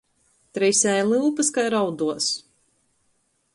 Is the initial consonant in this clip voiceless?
yes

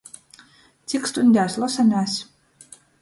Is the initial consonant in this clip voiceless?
yes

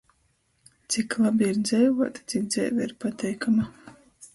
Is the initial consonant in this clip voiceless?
yes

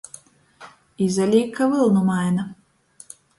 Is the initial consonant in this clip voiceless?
no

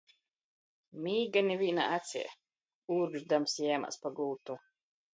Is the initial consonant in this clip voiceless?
no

